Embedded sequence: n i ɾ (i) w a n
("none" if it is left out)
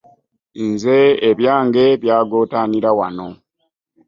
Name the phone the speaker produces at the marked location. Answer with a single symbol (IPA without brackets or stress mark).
a